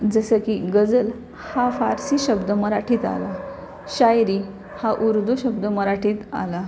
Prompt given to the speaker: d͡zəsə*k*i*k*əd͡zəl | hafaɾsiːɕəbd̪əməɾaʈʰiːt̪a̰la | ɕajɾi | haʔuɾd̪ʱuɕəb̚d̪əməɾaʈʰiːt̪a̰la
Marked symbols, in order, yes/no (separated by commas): yes, no